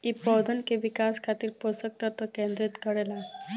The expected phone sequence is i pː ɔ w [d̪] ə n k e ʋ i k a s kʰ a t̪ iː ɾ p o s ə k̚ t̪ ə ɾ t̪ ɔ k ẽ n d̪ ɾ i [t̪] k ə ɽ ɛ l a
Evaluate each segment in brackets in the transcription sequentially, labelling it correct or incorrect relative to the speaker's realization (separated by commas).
correct, correct